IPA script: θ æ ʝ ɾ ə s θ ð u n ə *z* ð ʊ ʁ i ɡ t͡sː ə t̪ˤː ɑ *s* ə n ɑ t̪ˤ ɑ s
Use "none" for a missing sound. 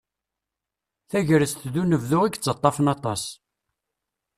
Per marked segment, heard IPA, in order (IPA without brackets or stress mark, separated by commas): v, f